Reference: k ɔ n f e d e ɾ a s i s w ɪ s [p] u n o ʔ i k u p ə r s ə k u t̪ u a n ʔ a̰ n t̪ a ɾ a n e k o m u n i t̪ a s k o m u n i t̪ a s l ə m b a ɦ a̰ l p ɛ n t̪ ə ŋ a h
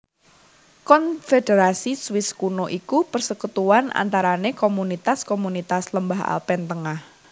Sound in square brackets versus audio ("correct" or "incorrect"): incorrect